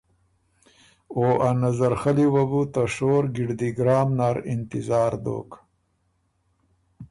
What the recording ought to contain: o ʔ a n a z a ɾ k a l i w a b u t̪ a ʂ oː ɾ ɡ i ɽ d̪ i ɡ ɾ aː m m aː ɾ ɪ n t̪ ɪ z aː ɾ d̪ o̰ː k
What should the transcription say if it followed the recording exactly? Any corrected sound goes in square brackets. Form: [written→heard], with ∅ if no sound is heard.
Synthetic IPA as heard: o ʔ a n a z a ɾ [k→x] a l i w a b u t̪ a ʂ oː ɾ ɡ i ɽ d̪ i ɡ ɾ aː m [m→n] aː ɾ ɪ n t̪ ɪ z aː ɾ d̪ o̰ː k